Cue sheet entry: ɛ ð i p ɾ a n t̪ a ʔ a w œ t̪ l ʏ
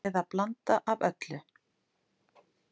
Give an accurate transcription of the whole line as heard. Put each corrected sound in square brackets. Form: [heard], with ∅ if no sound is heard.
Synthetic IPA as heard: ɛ ð [a] p [l] a n t̪ a ʔ a [v] œ t̪ l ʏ

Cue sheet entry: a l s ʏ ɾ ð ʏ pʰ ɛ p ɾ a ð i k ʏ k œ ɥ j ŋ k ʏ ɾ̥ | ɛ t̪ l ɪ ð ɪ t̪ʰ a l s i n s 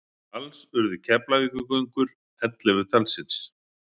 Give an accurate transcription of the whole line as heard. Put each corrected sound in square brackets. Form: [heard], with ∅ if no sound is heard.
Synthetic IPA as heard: a l s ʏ ɾ ð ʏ [cʰ] ɛ p [l] a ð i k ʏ k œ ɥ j ŋ k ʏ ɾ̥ | ɛ t̪ l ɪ [v] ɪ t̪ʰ a l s [ɪ] n s

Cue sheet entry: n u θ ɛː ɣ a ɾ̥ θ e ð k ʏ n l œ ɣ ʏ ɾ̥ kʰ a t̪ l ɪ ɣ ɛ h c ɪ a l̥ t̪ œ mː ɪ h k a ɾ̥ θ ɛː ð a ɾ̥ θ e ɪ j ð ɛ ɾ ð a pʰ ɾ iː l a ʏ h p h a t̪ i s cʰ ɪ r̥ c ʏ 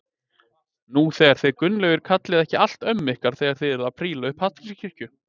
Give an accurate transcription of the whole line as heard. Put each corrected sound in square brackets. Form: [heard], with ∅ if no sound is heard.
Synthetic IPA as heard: n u θ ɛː ɣ a ɾ̥ θ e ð k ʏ n l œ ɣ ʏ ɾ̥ kʰ a t̪ l ɪ [ð] ɛ h c ɪ a l̥ t̪ œ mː ɪ h k a ɾ̥ θ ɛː [ɣ] a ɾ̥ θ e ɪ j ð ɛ ɾ ð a pʰ ɾ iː l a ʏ h p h a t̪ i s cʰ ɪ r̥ c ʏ

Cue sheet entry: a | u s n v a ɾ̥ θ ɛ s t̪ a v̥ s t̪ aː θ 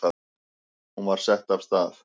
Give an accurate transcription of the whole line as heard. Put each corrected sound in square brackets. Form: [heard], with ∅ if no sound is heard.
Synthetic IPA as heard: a | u [∅] n v a ɾ̥ [s] ɛ [h] t̪ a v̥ s t̪ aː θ

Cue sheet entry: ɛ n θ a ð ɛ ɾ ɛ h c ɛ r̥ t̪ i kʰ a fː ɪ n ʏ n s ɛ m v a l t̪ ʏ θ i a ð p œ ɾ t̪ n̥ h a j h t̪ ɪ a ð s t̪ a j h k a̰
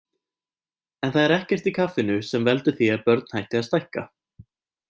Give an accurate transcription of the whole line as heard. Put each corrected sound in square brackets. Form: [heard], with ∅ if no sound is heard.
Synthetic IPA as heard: ɛ n θ a ð ɛ ɾ ɛ h c ɛ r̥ t̪ i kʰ a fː ɪ n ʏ [∅] s ɛ m v [ɛ] l t̪ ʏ θ i a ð p œ ɾ t̪ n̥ h a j h t̪ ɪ a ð s t̪ a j h k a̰

